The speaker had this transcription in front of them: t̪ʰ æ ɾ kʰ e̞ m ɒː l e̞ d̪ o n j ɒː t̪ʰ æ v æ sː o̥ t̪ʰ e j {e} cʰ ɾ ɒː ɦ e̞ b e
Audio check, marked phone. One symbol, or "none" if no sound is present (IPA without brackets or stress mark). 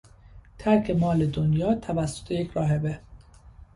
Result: e